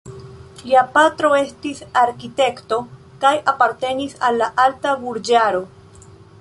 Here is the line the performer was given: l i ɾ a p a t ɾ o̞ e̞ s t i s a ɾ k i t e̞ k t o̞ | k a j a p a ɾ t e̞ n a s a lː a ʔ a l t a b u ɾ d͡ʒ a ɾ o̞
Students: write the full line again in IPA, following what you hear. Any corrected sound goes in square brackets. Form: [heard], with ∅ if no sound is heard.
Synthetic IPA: l i [∅] a p a t ɾ o̞ e̞ s t i s a ɾ k i t e̞ k t o̞ | k a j a p a ɾ t e̞ n [i] s a lː a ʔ a l t a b u ɾ d͡ʒ a ɾ o̞